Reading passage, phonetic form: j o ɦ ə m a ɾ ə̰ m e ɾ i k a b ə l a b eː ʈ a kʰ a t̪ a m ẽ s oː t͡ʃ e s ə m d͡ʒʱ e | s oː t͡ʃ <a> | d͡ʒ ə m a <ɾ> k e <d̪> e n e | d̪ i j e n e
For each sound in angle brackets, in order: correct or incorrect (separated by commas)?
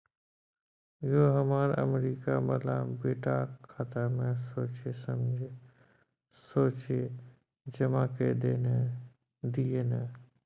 incorrect, incorrect, correct